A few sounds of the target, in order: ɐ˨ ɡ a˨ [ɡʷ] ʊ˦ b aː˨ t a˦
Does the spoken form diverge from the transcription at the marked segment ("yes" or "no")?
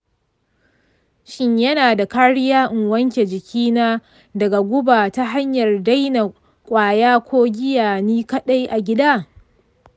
no